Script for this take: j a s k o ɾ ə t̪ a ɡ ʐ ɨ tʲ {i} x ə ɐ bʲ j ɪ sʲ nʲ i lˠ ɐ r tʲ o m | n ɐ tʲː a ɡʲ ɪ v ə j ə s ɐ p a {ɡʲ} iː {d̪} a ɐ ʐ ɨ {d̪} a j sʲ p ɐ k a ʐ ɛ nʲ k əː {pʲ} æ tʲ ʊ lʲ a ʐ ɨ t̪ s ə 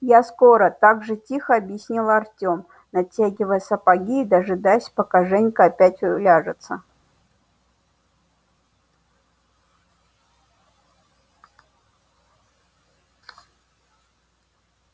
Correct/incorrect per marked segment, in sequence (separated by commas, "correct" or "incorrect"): correct, correct, correct, correct, correct